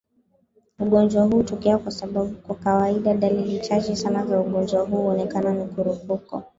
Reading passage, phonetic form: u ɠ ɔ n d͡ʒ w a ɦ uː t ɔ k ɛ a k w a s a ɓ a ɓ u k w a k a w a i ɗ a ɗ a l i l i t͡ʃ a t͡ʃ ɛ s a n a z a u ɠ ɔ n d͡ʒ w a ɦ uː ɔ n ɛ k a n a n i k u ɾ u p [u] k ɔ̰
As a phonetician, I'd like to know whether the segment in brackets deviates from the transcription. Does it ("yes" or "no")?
no